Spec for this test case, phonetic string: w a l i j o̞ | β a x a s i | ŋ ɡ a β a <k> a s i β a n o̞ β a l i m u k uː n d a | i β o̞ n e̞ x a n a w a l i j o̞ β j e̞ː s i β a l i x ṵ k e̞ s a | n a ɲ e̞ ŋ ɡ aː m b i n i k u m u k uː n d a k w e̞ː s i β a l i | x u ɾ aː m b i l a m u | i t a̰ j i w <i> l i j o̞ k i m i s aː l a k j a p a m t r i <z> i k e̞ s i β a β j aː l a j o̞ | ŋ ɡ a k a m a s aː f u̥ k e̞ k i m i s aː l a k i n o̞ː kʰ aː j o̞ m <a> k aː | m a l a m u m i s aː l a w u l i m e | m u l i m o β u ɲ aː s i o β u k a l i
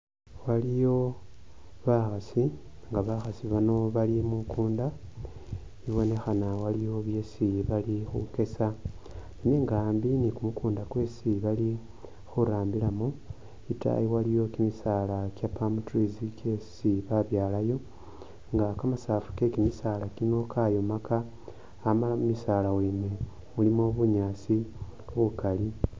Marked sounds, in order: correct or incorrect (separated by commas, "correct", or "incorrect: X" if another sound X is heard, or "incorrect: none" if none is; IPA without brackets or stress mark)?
incorrect: x, incorrect: a, correct, correct